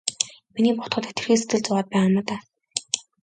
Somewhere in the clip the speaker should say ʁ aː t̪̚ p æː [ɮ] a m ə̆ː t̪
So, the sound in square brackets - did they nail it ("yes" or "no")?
no